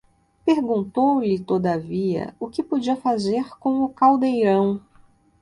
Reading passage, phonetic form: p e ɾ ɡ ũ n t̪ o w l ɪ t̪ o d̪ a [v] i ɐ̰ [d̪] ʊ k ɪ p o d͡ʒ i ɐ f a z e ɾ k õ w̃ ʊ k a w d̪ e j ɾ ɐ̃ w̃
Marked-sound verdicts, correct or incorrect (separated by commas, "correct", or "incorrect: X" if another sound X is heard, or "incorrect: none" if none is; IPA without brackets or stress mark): correct, incorrect: none